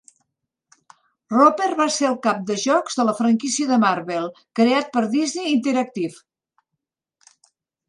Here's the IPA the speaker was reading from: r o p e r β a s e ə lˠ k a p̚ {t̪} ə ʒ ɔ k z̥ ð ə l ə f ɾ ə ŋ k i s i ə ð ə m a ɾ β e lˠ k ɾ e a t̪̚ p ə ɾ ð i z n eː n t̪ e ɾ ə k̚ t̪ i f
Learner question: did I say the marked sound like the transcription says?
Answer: no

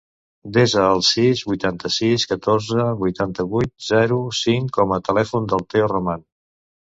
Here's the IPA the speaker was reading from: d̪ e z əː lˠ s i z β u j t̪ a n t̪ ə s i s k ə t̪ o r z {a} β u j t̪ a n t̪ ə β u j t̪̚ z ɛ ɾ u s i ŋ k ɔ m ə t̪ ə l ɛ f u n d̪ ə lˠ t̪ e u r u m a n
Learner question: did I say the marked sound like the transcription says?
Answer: no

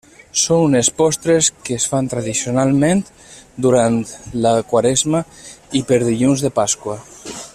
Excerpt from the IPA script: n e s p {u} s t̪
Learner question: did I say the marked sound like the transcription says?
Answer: no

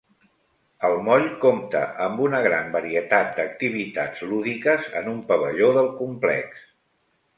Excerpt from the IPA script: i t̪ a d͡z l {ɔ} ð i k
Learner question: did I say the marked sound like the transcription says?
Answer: no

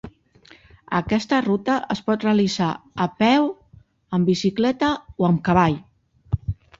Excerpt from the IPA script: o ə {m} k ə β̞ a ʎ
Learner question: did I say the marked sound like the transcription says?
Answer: yes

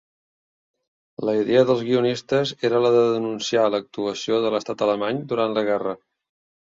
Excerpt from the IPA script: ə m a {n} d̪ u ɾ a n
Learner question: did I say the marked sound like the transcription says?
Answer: no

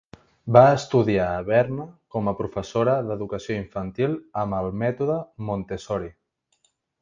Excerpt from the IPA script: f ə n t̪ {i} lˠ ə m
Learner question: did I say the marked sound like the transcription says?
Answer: yes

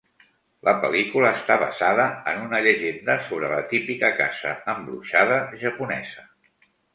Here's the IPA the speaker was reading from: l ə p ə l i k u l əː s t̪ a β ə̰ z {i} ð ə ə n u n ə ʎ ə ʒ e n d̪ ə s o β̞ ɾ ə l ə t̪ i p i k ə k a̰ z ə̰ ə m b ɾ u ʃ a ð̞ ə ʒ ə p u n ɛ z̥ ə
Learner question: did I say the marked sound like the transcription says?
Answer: no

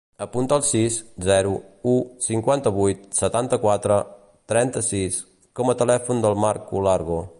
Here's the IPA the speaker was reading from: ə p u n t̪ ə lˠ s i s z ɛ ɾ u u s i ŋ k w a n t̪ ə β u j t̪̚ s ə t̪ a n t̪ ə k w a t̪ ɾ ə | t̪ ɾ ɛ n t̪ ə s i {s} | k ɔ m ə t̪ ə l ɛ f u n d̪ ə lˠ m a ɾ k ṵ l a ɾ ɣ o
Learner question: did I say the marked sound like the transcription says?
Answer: yes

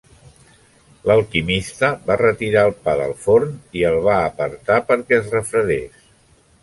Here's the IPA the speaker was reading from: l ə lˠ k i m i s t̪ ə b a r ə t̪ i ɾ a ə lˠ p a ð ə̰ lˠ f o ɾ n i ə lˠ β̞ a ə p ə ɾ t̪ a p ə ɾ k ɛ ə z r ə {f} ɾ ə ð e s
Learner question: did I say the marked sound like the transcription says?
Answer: yes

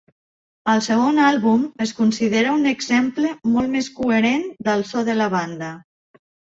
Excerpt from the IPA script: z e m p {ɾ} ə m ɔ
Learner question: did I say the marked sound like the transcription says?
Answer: no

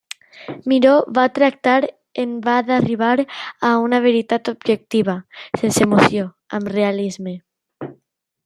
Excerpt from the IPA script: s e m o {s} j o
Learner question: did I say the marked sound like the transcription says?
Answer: no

